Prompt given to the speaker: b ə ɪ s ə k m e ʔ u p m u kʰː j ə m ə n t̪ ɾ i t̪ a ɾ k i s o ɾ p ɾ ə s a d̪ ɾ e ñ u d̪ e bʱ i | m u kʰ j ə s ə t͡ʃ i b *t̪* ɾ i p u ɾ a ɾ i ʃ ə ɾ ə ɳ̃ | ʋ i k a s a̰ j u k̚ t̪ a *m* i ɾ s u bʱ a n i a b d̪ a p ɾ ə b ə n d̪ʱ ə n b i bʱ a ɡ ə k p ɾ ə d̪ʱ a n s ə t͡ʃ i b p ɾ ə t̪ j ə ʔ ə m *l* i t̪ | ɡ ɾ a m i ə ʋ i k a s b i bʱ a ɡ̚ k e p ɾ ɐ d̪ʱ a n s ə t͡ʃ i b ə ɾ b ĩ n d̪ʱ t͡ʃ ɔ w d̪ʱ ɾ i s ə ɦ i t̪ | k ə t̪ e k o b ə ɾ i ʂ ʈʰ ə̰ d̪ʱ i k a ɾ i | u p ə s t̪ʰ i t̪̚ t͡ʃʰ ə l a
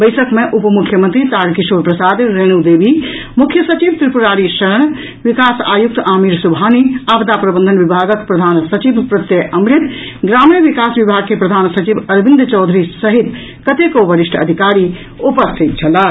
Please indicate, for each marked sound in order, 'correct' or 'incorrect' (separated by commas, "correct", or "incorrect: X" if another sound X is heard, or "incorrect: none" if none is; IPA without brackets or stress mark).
correct, correct, incorrect: ɾ